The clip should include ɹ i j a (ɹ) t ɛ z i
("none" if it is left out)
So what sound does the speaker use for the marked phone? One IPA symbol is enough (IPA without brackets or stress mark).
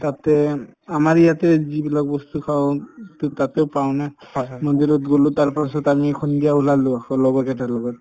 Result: none